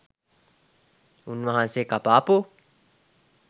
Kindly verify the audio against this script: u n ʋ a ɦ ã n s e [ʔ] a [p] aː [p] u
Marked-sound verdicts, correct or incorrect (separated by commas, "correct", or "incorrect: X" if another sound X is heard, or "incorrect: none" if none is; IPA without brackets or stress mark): incorrect: k, correct, correct